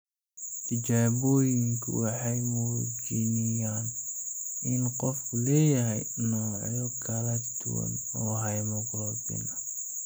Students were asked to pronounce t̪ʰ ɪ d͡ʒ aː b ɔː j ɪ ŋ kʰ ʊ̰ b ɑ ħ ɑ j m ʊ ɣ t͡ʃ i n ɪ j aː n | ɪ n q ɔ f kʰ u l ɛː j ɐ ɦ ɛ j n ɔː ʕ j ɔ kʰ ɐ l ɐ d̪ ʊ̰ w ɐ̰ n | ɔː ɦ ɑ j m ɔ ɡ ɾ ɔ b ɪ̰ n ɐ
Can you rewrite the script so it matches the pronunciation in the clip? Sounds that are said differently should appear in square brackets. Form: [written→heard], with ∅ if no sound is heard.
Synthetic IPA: t̪ʰ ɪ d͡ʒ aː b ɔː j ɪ ŋ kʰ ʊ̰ [b→w] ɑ ħ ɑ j m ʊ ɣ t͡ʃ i n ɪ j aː n | ɪ n q ɔ f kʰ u l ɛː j ɐ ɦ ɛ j n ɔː ʕ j ɔ kʰ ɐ l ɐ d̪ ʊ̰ w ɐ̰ n | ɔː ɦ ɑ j m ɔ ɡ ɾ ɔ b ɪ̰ n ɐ